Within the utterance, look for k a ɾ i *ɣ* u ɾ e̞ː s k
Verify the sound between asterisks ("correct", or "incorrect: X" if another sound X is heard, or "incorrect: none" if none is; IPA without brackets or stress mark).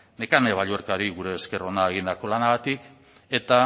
correct